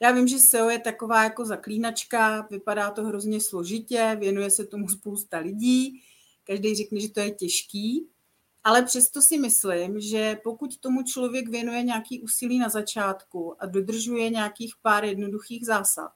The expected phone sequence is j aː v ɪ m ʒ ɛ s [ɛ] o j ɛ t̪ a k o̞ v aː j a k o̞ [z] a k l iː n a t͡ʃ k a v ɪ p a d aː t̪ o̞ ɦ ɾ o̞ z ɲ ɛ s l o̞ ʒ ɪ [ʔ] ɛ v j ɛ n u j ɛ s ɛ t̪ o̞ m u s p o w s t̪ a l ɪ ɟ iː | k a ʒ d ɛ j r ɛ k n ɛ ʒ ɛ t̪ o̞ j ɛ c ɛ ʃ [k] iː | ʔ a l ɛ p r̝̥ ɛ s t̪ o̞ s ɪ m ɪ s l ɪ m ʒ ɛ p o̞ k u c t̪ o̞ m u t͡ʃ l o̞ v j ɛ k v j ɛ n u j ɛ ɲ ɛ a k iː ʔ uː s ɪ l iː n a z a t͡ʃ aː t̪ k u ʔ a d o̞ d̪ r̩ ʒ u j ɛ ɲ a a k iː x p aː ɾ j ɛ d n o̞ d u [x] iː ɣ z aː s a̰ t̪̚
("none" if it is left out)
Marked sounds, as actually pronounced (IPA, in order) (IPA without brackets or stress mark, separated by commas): ɛ, z, c, k, x